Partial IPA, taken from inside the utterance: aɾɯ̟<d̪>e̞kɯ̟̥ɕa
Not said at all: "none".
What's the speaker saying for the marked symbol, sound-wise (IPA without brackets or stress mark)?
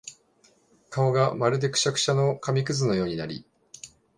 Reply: d̪